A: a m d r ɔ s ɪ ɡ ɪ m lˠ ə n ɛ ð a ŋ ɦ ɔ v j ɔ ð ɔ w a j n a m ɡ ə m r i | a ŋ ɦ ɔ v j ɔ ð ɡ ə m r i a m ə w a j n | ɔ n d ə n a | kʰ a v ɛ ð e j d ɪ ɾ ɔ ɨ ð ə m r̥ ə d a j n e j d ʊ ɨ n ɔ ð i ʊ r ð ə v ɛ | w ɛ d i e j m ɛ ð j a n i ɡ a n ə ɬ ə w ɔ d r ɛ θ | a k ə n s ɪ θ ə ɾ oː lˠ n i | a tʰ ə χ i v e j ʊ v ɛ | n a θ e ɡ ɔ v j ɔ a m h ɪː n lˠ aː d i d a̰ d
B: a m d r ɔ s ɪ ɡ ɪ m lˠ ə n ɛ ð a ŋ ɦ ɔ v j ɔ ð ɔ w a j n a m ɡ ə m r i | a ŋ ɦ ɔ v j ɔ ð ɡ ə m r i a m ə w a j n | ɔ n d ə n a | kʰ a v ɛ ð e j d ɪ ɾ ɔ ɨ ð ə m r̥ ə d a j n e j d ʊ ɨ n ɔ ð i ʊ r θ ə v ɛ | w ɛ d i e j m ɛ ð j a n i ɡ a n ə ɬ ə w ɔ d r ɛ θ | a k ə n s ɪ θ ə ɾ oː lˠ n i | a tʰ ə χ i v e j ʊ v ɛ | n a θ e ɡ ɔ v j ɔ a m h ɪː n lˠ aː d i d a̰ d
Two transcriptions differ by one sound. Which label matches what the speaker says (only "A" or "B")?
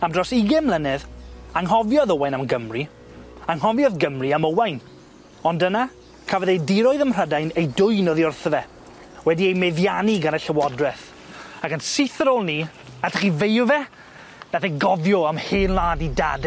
B